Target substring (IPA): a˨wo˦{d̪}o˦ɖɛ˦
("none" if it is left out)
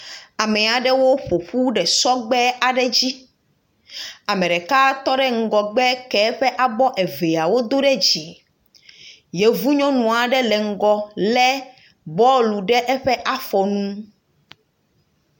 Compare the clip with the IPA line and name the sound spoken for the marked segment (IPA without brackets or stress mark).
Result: d̪